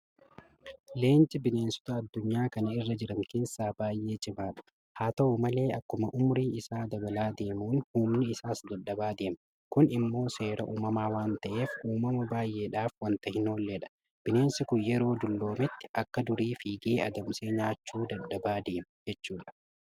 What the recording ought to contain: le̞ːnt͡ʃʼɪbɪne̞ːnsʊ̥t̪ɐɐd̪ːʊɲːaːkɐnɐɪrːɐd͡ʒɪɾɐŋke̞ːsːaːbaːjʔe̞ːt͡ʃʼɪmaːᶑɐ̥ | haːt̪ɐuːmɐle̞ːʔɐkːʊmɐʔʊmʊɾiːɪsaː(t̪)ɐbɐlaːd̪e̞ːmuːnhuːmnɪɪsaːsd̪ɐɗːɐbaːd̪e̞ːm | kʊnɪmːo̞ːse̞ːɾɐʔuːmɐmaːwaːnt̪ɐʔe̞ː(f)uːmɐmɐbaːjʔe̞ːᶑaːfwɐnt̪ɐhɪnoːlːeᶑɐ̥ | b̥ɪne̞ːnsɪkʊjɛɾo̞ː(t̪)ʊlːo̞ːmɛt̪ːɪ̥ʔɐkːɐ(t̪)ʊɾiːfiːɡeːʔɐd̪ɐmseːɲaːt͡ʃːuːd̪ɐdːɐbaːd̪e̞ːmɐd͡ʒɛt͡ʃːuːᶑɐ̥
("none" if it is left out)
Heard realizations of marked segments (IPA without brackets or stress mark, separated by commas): d̪, f, d̪, d̪